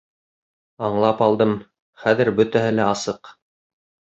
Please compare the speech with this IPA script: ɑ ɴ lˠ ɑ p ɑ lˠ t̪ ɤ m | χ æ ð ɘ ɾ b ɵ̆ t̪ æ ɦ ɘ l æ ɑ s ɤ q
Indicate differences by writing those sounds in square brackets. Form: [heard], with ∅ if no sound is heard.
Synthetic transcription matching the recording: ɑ ɴ lˠ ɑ p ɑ lˠ [d̪] ɤ m | χ æ ð ɘ ɾ b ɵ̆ t̪ æ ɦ ɘ l æ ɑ s ɤ q